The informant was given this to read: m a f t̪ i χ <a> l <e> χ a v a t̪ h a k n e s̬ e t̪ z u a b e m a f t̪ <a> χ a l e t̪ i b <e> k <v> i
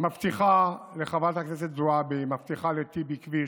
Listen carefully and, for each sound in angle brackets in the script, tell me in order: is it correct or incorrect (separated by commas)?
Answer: correct, correct, incorrect, incorrect, correct